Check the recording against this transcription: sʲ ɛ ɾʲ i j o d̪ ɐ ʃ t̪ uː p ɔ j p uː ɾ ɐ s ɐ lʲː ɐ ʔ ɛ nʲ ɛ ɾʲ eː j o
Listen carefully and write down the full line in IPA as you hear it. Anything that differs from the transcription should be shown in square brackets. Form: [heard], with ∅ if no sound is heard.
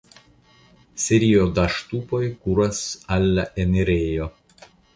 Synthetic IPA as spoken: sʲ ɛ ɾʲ i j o d̪ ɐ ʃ t̪ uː p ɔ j [k] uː ɾ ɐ s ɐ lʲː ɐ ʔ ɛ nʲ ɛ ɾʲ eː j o